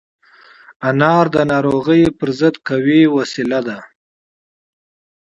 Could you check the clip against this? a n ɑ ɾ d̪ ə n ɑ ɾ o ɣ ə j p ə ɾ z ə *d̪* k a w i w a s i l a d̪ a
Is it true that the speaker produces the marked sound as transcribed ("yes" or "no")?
yes